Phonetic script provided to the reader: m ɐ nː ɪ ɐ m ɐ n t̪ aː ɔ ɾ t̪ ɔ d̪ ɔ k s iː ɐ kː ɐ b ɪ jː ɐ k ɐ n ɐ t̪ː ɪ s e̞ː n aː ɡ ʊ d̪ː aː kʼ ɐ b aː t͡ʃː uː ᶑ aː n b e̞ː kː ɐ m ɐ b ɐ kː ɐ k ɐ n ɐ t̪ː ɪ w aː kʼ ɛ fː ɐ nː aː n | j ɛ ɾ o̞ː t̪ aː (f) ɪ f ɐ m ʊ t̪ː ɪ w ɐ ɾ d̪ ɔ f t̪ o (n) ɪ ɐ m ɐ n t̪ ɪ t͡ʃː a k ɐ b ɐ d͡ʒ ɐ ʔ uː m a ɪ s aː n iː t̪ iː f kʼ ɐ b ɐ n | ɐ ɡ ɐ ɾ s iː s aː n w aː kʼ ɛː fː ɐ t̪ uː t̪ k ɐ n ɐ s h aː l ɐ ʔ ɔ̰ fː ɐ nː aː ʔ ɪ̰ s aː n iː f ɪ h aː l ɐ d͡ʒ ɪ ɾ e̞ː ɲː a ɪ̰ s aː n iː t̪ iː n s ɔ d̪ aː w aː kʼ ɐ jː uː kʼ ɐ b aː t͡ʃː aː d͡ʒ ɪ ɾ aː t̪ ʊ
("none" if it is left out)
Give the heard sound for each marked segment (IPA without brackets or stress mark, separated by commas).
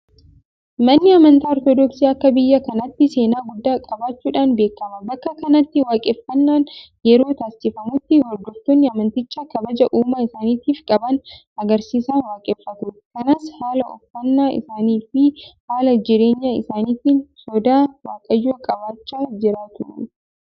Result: s, nː